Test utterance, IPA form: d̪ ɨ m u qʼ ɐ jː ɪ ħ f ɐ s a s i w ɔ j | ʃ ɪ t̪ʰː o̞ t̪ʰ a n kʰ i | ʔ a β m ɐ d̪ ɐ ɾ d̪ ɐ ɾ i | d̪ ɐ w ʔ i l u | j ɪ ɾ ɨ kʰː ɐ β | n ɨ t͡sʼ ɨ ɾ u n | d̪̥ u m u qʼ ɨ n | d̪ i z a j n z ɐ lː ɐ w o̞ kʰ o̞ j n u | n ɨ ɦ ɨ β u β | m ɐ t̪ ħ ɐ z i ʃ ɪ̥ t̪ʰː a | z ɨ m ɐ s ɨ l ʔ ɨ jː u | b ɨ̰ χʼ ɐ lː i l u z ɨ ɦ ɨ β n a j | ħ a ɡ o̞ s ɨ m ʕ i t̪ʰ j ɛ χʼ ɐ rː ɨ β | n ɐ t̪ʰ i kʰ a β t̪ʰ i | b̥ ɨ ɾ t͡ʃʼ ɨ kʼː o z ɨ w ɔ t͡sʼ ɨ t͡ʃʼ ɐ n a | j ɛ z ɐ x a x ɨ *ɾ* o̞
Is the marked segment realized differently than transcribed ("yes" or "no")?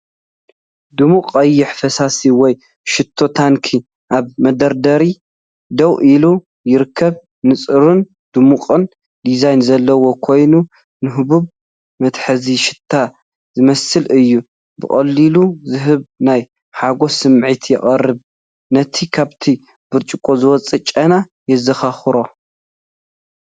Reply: no